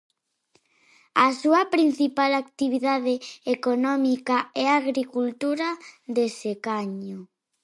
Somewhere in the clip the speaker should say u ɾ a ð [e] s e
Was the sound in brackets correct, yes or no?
yes